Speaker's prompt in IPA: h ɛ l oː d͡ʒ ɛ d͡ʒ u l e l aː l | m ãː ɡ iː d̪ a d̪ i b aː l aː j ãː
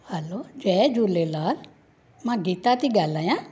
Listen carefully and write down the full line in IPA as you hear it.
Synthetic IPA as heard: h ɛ l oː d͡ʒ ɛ d͡ʒ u l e l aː l | m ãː ɡ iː t̪ a t̪ i ɡ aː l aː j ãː